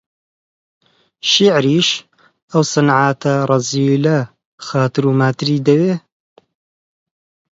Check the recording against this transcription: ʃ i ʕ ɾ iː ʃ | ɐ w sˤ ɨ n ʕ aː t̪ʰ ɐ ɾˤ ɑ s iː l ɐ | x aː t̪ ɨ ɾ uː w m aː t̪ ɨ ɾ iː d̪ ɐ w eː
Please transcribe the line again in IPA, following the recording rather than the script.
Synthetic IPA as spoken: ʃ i ʕ ɾ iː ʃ | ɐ w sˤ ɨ n ʕ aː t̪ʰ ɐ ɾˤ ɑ z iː l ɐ | x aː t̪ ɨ ɾ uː m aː t̪ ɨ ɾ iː d̪ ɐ w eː